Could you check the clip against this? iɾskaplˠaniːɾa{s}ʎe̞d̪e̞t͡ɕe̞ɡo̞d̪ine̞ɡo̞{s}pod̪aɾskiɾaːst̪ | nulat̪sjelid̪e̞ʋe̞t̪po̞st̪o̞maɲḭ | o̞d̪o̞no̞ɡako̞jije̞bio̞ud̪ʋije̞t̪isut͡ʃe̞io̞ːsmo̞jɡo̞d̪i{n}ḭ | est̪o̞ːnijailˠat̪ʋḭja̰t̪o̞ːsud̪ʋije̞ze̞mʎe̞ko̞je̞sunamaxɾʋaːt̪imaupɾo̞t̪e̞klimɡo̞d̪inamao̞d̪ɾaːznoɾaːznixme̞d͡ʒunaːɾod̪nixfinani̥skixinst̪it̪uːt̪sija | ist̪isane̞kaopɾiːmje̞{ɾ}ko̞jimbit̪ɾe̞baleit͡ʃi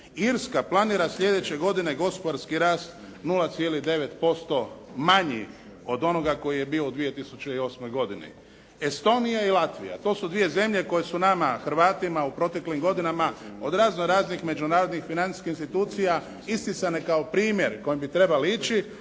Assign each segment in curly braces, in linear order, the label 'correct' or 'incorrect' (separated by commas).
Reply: correct, correct, correct, correct